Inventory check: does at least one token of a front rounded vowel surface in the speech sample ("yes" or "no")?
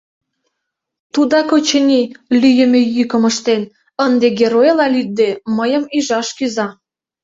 yes